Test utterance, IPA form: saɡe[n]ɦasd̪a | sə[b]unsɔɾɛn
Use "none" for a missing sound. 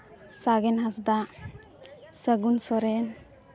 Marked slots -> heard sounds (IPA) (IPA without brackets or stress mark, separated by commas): n, ɡ